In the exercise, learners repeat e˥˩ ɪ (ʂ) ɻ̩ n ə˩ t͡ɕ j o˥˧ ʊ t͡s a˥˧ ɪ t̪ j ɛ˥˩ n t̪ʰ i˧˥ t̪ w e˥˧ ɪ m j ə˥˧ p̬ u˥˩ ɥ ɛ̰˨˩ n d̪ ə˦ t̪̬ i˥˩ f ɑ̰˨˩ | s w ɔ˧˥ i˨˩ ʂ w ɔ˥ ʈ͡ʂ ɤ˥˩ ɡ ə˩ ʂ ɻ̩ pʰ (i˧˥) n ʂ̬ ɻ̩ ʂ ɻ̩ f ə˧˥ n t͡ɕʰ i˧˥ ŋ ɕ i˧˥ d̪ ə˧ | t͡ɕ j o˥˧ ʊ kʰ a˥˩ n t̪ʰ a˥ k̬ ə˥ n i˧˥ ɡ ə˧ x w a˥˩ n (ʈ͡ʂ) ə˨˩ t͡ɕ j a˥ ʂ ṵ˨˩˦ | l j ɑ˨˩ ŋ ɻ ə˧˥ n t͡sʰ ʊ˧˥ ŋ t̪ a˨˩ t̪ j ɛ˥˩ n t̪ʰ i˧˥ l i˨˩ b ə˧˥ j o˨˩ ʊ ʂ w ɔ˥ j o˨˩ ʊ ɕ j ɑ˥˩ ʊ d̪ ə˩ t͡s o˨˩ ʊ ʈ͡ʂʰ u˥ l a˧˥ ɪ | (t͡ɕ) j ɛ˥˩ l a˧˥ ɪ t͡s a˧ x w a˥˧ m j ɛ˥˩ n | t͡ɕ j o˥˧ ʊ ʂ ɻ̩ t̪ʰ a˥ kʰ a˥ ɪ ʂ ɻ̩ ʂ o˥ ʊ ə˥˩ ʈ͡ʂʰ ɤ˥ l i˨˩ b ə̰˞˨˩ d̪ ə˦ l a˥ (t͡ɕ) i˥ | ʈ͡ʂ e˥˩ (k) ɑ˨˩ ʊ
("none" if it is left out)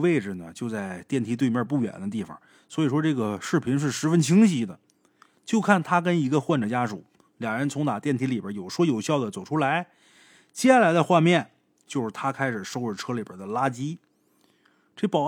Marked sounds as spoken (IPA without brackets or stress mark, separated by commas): ʈ͡ʂ, i˧˥, ʈ͡ʂ, t͡ɕ, t͡ɕ, p